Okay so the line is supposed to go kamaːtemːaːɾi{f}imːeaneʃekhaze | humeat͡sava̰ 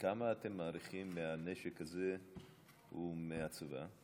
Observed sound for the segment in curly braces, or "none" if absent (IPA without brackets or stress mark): χ